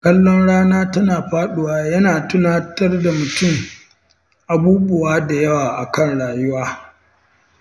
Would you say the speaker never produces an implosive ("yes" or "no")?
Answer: no